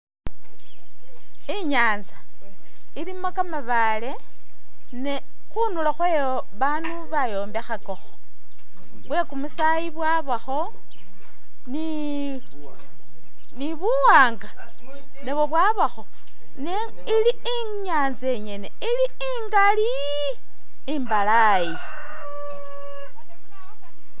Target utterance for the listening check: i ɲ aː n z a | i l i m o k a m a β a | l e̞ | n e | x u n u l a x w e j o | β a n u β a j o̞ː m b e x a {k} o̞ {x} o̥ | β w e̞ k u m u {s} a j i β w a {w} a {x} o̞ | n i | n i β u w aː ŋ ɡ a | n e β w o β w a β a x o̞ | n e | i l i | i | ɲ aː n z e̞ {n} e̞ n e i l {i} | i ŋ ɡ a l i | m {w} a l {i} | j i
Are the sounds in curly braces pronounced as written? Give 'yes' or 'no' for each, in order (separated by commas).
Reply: yes, yes, yes, no, yes, no, yes, no, no